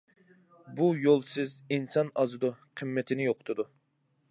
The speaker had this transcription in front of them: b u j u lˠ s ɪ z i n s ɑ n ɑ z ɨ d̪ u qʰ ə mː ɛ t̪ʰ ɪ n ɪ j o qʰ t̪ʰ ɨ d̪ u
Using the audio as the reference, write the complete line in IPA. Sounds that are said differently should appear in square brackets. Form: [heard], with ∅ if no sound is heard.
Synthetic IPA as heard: b u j [o] lˠ s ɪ z i n s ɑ n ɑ z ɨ d̪ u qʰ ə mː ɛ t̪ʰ ɪ n ɪ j o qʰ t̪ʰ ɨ d̪ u

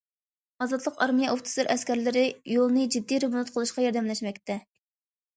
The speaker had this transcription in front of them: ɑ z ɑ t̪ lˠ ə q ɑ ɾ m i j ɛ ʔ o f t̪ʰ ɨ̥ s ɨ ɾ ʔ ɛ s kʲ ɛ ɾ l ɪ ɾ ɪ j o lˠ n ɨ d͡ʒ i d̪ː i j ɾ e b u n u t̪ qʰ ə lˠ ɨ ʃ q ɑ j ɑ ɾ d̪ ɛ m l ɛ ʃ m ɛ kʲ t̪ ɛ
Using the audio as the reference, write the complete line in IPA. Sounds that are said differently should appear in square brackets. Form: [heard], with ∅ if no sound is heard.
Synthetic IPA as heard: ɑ z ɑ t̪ lˠ ə q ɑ ɾ m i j ɛ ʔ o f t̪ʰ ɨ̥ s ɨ ɾ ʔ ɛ s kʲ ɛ ɾ l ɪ ɾ ɪ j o lˠ n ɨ d͡ʒ i d̪ː i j ɾ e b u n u t̪ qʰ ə lˠ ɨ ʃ q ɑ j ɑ ɾ d̪ ɛ m l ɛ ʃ m ɛ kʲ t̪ ɛ

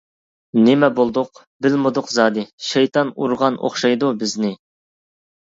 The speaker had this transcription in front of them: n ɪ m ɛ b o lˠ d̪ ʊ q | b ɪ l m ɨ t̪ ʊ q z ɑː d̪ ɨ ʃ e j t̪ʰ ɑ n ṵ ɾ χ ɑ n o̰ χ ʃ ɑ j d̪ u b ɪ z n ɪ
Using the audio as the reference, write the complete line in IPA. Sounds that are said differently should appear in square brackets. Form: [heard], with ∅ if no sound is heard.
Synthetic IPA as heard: n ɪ m ɛ b o lˠ d̪ ʊ q | b ɪ l m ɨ [d̪] ʊ q z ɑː d̪ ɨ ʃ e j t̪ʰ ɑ n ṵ ɾ [ʁ] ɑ n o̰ χ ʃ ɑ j d̪ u b ɪ z n ɪ

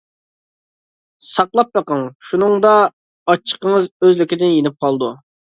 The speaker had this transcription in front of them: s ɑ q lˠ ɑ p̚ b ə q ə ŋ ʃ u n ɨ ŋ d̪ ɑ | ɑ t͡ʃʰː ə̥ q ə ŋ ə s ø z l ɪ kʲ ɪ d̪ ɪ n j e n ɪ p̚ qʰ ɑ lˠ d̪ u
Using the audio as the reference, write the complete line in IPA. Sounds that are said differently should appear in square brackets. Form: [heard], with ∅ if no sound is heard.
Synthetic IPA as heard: s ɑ q lˠ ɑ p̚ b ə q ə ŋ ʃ u n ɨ ŋ d̪ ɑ | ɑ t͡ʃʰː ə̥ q ə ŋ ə [z] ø z l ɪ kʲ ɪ d̪ ɪ n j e n ɪ p̚ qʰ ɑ lˠ d̪ u

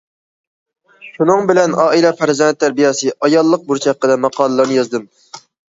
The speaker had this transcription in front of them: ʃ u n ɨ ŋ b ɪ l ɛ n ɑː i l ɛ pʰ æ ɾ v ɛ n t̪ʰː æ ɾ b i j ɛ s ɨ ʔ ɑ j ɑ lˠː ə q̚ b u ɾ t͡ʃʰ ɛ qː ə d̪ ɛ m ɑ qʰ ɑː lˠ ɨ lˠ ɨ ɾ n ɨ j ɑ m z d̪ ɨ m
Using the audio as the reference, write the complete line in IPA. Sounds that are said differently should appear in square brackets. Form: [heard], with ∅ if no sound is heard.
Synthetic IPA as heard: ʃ u n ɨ ŋ b ɪ l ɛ n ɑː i l ɛ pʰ æ ɾ [z] ɛ n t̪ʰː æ ɾ b i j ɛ s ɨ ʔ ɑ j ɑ lˠː ə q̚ b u ɾ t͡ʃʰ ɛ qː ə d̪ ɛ m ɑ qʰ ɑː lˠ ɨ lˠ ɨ ɾ n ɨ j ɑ [∅] z d̪ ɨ m

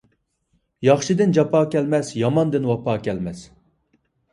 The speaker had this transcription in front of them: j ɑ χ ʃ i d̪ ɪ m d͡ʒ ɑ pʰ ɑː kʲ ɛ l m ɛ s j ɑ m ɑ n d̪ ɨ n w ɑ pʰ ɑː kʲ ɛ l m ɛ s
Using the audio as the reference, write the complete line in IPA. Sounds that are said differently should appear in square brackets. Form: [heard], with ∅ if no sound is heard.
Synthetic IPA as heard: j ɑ χ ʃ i d̪ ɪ [n] d͡ʒ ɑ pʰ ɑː kʲ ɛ l m ɛ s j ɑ m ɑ n d̪ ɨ n w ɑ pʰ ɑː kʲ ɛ l m ɛ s

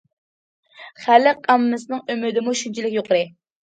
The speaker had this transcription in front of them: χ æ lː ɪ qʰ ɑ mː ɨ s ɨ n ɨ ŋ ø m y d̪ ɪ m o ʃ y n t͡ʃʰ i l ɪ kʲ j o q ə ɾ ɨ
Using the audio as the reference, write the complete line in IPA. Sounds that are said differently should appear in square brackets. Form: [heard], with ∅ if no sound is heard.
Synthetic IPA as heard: χ æ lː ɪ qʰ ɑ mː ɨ s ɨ n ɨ ŋ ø m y d̪ ɪ m [u] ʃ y n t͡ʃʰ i l ɪ kʲ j o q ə ɾ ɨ

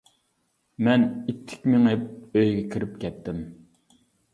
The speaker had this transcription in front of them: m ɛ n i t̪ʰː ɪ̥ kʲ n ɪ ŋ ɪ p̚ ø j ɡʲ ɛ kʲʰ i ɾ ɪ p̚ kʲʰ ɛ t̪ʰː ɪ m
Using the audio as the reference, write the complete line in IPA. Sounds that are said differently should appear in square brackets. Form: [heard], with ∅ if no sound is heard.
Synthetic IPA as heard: m ɛ n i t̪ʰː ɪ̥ kʲ [m] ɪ ŋ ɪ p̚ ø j ɡʲ ɛ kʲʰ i ɾ ɪ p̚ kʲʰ ɛ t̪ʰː ɪ m

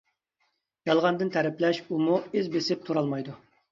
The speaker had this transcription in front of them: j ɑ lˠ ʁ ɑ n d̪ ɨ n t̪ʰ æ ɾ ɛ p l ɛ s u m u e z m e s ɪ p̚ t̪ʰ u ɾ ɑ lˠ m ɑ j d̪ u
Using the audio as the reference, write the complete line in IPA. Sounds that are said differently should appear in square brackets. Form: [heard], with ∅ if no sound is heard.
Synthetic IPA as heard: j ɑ lˠ ʁ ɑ n d̪ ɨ n t̪ʰ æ ɾ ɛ p l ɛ [ʃ] u m u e z [b] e s ɪ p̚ t̪ʰ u ɾ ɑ lˠ m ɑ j d̪ u

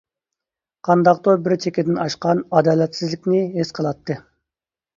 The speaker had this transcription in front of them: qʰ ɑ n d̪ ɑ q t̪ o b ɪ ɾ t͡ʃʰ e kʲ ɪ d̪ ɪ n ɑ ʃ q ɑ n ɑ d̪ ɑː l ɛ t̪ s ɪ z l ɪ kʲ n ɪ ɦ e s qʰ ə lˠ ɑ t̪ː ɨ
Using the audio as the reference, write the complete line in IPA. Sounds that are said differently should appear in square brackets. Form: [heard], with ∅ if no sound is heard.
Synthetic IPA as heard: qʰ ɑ n d̪ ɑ q t̪ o b ɪ ɾ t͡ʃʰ e kʲ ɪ d̪ ɪ n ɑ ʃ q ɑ n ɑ d̪ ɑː l ɛ t̪ s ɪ z l ɪ kʲ n ɪ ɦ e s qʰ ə lˠ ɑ t̪ː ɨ

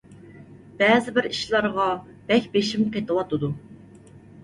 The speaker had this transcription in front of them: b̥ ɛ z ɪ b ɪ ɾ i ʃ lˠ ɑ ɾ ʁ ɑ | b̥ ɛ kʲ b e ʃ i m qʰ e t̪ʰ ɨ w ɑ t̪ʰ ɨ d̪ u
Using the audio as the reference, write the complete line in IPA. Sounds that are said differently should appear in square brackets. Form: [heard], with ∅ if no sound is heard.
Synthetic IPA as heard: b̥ ɛ z ɪ b ɪ ɾ i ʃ lˠ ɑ ɾ ʁ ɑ | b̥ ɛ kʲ b e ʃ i m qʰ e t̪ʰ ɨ w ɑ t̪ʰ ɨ d̪ u

